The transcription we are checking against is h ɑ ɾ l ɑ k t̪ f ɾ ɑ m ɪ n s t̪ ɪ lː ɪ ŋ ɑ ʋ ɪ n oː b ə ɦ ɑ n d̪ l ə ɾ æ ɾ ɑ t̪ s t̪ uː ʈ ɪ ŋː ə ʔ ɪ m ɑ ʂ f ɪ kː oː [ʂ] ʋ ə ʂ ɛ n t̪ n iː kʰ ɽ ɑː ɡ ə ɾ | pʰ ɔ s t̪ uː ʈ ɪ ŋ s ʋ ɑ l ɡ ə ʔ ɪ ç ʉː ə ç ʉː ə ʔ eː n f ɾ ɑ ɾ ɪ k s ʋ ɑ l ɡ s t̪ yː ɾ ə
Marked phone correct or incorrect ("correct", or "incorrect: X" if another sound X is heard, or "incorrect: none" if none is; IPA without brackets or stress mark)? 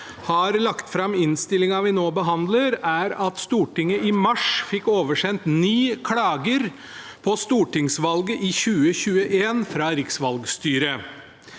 incorrect: none